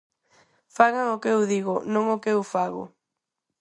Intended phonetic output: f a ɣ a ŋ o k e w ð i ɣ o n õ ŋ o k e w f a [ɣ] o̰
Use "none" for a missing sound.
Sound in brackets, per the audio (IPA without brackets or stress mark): ɣ